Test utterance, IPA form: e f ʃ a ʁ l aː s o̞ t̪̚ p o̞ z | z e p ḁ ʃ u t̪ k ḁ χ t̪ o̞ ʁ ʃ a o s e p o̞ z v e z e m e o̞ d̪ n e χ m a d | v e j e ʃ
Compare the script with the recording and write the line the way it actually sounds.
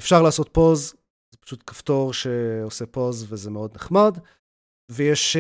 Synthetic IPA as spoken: e f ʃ a ʁ l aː s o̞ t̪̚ p o̞ z | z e p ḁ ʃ u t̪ k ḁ f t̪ o̞ ʁ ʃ e o s e p o̞ z v e z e m e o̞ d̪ n e χ m a d | v e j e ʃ